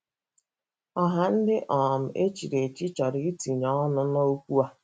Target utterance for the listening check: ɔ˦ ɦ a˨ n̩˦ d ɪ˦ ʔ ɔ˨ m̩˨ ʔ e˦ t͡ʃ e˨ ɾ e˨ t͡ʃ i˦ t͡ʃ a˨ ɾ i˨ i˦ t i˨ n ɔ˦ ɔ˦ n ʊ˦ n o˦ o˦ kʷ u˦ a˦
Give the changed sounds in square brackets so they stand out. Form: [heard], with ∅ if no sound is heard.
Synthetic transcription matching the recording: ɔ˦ ɦ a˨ n̩˦ d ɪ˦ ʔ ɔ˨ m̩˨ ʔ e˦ t͡ʃ [i˨] ɾ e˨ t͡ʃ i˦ t͡ʃ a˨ ɾ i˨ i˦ t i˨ [ɲ] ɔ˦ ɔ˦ n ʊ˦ n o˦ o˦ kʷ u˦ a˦